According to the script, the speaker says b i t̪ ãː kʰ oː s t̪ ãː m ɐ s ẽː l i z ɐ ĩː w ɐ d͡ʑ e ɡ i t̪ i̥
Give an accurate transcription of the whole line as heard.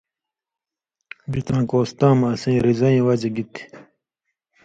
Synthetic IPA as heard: b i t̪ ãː k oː s t̪ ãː m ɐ s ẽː ɾ i z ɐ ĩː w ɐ d͡ʑ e ɡ i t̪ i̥